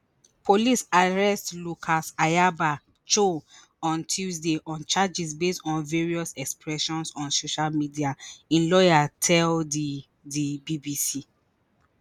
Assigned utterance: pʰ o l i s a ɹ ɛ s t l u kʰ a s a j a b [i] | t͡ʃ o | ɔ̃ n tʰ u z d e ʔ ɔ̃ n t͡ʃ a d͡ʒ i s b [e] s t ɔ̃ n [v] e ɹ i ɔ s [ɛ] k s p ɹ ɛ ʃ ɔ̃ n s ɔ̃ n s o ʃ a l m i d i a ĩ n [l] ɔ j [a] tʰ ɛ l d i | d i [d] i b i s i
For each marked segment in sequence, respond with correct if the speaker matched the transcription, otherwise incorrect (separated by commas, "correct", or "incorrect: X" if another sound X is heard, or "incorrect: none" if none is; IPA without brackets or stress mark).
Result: incorrect: a, correct, correct, correct, correct, correct, incorrect: b